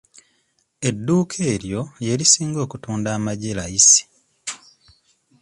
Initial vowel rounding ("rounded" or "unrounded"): unrounded